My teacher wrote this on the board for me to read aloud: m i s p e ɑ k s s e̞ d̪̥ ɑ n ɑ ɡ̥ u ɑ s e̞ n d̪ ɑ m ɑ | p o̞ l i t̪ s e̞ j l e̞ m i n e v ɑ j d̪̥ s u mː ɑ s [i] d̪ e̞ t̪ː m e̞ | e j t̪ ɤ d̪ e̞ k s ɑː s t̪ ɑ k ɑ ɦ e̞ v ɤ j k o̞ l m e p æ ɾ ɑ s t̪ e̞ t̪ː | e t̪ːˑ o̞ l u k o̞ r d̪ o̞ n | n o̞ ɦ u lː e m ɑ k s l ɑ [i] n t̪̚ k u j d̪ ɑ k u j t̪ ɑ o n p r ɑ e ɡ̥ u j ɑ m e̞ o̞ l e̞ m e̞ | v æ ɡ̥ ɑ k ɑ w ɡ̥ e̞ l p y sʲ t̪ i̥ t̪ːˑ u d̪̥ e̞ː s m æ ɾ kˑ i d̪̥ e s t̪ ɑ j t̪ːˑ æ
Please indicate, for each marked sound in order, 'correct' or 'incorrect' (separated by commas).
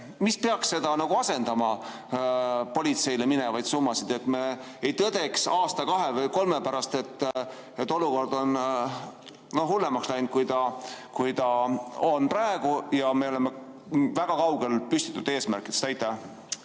correct, incorrect